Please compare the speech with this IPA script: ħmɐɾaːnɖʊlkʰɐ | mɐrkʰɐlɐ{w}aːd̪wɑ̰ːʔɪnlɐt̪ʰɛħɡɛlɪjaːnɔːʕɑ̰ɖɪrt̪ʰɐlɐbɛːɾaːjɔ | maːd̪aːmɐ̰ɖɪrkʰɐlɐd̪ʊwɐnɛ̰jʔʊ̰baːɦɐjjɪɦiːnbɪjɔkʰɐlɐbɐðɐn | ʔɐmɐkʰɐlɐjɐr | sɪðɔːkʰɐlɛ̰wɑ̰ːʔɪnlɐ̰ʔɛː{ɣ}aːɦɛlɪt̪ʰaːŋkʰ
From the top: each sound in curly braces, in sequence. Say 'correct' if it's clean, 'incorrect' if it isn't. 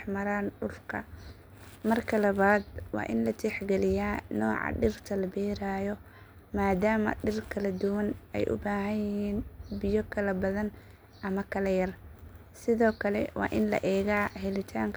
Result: incorrect: β, correct

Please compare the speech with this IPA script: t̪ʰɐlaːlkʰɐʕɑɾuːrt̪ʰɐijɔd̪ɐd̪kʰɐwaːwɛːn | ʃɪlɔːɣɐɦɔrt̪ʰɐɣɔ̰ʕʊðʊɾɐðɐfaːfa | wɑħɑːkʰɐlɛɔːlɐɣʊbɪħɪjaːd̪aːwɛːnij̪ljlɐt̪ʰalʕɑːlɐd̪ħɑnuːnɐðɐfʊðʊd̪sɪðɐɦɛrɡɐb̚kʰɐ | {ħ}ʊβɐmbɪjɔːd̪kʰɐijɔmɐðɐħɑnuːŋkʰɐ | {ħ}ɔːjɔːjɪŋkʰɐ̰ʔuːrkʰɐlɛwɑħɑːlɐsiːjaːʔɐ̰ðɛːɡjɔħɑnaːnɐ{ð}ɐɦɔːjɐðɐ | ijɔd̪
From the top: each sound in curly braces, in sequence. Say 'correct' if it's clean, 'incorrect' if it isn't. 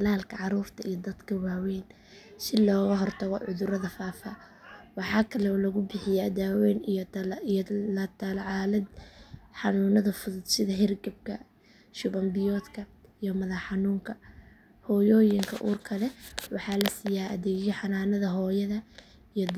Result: incorrect: ʃ, incorrect: h, correct

